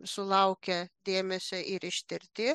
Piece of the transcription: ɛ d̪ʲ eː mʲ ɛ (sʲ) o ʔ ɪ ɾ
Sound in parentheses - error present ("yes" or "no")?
no